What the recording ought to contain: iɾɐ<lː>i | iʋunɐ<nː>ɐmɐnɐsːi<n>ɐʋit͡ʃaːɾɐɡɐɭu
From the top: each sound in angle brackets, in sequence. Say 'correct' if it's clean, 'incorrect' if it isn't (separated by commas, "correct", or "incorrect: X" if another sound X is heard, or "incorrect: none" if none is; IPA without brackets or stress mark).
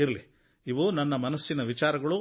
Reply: incorrect: l, correct, correct